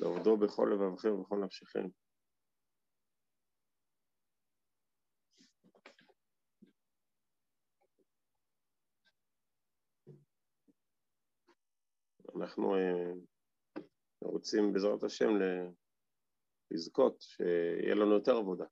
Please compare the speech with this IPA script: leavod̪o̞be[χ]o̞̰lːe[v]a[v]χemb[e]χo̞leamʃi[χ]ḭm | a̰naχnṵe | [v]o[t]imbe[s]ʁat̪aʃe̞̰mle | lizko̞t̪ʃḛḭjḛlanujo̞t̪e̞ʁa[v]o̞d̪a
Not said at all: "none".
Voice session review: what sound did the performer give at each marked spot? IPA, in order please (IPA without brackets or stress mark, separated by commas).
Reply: χ, v, v, e, χ, ʁ, t͡s, z, v